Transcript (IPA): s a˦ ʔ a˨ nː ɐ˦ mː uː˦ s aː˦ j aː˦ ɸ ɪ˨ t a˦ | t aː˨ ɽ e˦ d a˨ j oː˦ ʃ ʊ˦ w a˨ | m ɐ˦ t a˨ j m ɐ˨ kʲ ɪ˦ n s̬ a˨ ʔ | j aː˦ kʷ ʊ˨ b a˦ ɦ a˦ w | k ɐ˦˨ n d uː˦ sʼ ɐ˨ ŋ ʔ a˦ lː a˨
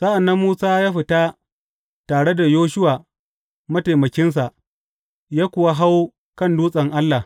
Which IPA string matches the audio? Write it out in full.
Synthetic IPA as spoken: s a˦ ʔ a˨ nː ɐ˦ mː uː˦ s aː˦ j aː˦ ɸ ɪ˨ t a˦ | t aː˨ ɽ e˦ d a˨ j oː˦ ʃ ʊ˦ w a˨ | m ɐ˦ t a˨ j m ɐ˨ kʲ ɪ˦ n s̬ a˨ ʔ | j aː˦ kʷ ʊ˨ w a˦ ɦ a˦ w | k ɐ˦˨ n d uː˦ sʼ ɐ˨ ŋ ʔ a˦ lː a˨